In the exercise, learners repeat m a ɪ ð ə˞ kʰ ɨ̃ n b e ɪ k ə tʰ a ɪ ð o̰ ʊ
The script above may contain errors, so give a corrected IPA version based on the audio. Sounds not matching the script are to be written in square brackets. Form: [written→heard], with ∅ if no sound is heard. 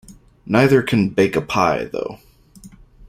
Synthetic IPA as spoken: [m→n] a ɪ ð ə˞ kʰ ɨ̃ n b e ɪ k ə [tʰ→pʰ] a ɪ ð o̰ ʊ